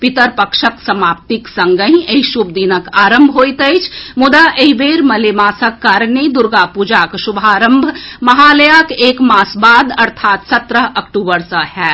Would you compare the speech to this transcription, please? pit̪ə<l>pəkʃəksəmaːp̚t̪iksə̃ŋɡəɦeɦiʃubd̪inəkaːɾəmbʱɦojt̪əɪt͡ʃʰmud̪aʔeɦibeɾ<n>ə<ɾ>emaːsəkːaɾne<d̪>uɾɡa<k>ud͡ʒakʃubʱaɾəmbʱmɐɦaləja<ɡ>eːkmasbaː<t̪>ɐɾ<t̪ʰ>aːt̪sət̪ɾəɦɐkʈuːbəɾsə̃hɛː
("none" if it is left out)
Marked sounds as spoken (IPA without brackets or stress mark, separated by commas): ɾ, m, l, d̪, p, k, d̪, t̪ʰ